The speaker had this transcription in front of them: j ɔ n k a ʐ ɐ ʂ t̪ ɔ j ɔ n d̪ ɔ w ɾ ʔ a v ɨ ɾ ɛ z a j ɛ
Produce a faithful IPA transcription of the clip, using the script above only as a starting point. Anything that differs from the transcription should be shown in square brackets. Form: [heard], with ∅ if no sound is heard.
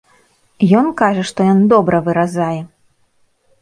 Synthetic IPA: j ɔ n k a ʐ ɐ ʂ t̪ ɔ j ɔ n d̪ ɔ [b] ɾ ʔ [ɐ] v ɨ ɾ [a] z a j ɛ